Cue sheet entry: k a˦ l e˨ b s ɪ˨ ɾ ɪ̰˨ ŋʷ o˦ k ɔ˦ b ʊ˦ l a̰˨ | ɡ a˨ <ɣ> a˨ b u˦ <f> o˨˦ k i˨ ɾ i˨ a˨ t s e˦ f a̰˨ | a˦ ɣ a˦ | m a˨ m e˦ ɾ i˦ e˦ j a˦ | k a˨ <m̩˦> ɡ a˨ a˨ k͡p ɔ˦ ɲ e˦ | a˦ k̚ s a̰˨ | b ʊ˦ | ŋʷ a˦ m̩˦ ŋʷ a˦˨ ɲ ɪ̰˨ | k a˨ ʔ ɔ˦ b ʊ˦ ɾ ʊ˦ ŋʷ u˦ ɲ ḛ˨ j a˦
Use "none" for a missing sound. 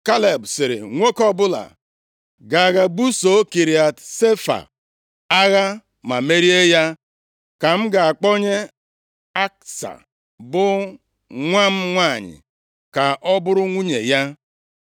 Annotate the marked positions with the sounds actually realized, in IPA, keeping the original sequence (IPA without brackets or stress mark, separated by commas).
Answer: ɣ, s, m̩˦